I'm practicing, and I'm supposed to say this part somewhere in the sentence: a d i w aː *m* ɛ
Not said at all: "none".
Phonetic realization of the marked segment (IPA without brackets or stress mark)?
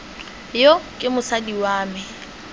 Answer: m